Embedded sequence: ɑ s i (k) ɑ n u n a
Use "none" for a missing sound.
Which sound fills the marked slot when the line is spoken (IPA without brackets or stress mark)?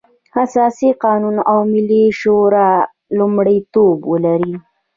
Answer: q